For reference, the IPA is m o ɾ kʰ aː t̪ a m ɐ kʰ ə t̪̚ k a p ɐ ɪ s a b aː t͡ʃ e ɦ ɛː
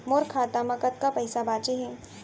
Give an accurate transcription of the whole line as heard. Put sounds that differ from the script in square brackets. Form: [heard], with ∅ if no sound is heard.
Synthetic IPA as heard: m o ɾ kʰ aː t̪ a m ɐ [k] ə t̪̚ k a p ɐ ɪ s a b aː t͡ʃ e ɦ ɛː